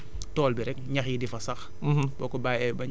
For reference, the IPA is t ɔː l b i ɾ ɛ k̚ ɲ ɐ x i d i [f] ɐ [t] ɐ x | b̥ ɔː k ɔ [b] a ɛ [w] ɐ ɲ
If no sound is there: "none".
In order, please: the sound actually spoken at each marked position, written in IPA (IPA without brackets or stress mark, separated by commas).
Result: f, s, b, b